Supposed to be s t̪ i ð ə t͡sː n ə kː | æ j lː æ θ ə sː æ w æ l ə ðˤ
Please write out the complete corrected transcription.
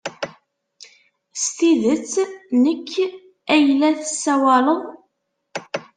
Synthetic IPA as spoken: s t̪ i ð ə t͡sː n ə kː | æ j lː æ θ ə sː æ w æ l ə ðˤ